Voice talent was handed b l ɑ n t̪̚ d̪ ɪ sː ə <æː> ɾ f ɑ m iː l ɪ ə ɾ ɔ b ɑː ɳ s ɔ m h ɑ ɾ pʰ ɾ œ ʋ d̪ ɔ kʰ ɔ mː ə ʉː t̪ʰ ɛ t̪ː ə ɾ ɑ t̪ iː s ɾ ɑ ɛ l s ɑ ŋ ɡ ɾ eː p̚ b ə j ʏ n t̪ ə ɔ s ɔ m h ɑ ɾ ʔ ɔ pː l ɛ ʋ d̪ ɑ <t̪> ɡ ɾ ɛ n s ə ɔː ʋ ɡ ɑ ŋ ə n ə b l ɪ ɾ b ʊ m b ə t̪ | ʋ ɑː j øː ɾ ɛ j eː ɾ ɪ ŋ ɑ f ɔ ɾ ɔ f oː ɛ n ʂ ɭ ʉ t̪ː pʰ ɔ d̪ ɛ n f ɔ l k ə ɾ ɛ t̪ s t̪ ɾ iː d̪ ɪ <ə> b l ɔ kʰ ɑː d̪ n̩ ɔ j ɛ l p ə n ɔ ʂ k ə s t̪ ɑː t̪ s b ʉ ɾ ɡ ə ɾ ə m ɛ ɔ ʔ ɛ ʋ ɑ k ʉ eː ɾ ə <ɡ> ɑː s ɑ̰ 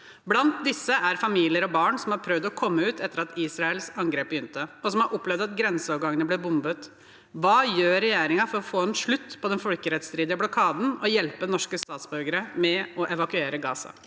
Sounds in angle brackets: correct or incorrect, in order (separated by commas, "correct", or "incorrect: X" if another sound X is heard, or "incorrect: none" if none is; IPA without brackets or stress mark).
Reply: incorrect: æ, correct, correct, correct